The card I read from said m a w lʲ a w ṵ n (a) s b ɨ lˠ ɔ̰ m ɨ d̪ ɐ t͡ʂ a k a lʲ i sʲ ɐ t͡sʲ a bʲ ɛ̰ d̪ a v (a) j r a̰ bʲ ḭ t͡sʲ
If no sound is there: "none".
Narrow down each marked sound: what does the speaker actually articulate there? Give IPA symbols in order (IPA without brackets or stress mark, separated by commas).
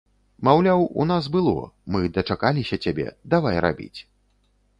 a, a